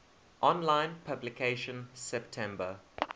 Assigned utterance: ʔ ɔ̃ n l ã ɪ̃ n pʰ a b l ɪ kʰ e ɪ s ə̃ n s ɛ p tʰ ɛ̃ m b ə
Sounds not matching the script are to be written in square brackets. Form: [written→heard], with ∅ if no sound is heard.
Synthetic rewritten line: ʔ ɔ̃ n l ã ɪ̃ n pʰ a b l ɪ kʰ e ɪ [s→ʃ] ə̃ n s ɛ p tʰ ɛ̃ m b ə

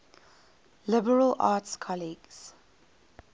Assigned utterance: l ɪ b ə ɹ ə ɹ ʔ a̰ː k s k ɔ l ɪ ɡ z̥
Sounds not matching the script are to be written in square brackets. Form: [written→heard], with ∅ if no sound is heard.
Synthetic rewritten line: l ɪ b ə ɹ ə [ɹ→l] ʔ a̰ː [k→t] s [k→kʰ] ɔ l [ɪ→i] ɡ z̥

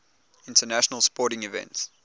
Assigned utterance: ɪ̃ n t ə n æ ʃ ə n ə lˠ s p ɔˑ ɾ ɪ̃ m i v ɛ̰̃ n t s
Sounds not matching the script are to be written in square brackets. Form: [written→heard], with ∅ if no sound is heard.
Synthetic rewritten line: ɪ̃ n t ə n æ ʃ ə n ə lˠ s p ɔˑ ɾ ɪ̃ [m→ŋ] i v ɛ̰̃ n t s

